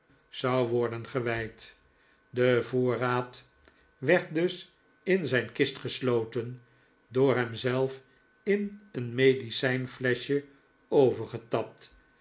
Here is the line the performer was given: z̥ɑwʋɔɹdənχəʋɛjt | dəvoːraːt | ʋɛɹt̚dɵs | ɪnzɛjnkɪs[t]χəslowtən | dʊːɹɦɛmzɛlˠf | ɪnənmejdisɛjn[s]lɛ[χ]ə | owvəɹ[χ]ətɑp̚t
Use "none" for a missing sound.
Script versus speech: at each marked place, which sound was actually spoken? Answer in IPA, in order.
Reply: t, f, ʃ, χ

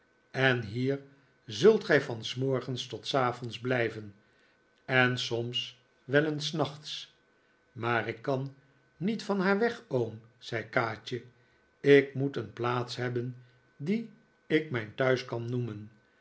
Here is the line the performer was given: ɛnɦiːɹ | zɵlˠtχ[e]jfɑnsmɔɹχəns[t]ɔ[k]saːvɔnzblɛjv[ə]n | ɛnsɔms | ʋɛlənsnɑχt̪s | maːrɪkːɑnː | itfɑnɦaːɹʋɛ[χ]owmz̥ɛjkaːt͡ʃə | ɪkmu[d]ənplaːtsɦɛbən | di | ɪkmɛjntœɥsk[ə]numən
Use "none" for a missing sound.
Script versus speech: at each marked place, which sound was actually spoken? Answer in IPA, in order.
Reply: ɛ, t, t, ə, χ, t, ɑ

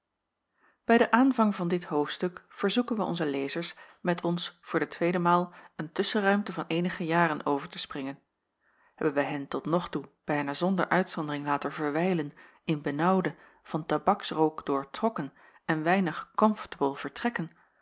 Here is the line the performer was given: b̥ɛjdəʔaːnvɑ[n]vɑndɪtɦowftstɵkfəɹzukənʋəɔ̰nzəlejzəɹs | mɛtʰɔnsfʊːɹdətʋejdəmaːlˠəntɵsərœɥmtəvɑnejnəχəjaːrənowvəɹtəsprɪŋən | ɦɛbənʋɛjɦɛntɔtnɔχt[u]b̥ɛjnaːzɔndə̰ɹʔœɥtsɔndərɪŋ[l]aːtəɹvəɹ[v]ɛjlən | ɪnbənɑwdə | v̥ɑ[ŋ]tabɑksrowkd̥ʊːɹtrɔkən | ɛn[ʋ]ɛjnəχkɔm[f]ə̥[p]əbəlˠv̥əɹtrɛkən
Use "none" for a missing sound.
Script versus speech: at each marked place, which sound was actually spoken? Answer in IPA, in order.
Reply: ŋ, u, l, ʋ, n, ʋ, f, t

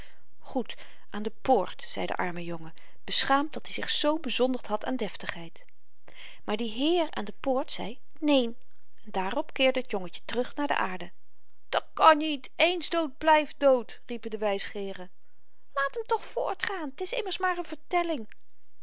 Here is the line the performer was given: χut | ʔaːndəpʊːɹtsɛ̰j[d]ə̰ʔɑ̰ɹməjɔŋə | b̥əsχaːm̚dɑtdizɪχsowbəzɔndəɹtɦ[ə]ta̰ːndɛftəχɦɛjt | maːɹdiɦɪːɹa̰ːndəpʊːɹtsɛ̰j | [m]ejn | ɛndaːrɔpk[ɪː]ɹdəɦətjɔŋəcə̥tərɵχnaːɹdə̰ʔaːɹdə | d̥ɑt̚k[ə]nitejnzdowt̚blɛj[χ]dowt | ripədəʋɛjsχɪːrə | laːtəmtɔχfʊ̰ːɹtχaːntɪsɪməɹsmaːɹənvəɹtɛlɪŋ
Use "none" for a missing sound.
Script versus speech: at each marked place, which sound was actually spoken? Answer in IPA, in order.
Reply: d, ɑ, n, ɪː, ɑ, f

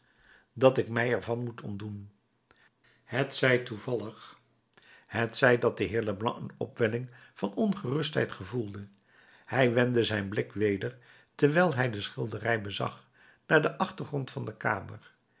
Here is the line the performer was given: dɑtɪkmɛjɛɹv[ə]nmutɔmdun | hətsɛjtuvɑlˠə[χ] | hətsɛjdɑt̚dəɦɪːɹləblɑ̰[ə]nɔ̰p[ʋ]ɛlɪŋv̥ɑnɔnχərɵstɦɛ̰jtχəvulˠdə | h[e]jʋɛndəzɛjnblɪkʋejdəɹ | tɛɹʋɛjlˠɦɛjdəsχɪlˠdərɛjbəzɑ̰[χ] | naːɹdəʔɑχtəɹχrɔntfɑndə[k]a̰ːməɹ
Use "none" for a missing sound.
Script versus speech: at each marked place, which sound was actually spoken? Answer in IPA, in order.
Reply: ɑ, χ, ə, ʋ, ɛ, χ, k

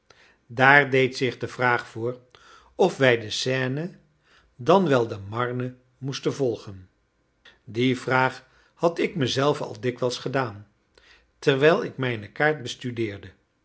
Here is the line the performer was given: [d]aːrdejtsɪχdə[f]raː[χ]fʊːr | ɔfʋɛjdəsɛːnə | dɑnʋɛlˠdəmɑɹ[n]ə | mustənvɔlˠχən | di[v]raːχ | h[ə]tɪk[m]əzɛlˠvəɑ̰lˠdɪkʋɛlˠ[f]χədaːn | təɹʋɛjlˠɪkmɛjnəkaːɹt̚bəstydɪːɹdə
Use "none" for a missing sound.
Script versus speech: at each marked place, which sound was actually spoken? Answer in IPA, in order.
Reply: d, v, χ, n, v, ɑ, m, s

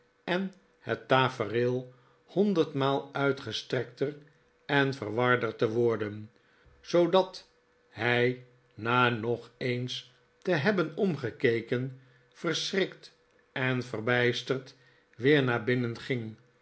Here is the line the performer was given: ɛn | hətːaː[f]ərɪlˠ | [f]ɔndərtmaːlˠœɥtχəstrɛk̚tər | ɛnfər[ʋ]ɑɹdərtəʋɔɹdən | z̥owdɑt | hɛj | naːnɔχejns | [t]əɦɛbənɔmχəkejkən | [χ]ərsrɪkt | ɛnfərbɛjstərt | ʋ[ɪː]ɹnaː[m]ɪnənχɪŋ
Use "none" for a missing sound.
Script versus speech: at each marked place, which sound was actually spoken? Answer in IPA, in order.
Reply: f, h, ʋ, t, f, ɪː, b

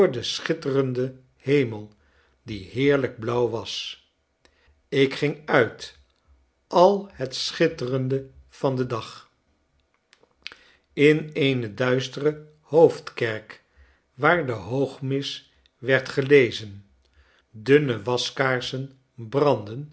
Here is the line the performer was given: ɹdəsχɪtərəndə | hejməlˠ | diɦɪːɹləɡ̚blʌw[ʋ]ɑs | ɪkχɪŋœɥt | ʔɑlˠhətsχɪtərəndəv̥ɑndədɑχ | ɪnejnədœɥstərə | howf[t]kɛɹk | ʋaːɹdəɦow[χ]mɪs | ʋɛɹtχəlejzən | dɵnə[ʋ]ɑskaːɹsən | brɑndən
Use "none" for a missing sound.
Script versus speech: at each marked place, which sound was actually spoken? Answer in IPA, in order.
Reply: ʋ, t, χ, ʋ

